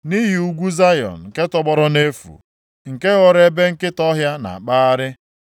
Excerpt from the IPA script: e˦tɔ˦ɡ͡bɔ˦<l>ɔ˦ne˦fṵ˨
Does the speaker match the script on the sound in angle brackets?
no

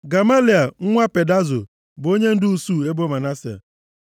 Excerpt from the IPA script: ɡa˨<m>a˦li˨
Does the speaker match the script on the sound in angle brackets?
yes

